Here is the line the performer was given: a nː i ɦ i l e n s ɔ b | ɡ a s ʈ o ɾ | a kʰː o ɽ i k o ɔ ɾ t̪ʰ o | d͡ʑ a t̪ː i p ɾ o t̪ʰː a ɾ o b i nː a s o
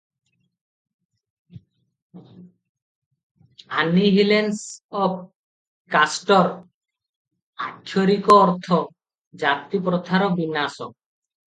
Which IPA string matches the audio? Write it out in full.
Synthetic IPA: a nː i ɦ i l e n s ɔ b | k a s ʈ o ɾ | a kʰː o ɾ i k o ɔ ɾ t̪ʰ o | d͡ʑ a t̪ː i p ɾ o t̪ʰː a ɾ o b i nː a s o